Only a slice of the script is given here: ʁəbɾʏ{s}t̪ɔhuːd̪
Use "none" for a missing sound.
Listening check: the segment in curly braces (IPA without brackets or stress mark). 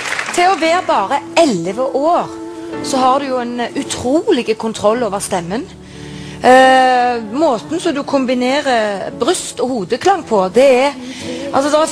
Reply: s